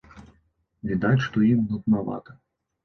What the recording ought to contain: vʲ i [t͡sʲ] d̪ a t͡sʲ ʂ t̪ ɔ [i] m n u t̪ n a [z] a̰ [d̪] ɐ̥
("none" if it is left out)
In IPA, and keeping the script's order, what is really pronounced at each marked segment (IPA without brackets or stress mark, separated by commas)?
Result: none, i, v, t̪